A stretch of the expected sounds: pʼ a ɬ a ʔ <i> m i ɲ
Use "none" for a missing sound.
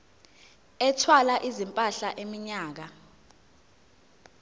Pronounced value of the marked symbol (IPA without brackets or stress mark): e